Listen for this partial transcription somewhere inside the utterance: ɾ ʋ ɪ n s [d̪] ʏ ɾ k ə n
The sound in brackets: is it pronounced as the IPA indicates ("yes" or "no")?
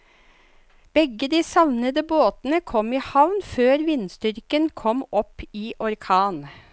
no